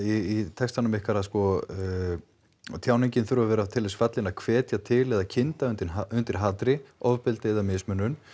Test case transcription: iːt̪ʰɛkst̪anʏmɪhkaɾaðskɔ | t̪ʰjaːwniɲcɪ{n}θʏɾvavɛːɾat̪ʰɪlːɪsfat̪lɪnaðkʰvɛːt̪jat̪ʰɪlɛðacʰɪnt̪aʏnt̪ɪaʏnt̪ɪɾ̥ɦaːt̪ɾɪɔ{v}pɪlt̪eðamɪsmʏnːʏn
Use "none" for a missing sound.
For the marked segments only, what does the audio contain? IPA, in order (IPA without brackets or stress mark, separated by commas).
n, v